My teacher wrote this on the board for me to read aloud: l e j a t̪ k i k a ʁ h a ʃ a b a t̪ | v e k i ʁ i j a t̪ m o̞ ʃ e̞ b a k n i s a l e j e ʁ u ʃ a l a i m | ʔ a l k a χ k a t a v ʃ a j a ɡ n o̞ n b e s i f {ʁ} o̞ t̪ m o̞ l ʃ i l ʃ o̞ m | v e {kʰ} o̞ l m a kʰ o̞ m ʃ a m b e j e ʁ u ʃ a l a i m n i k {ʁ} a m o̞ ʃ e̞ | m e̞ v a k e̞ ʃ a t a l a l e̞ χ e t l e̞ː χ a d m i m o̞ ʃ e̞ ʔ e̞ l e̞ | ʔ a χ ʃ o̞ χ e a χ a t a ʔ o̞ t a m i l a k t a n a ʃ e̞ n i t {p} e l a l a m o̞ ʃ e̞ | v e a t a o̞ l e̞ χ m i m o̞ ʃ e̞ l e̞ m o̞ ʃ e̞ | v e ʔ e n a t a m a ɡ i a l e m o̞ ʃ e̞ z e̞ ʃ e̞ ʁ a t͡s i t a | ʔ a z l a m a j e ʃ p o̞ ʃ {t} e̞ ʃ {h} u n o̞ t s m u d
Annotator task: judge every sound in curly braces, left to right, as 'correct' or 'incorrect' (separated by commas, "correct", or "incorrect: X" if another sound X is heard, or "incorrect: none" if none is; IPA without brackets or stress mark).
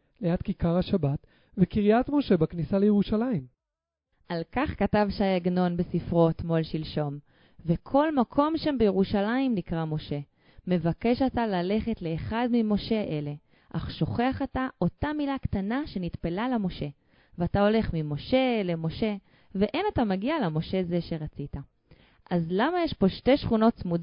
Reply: correct, correct, correct, correct, correct, incorrect: χ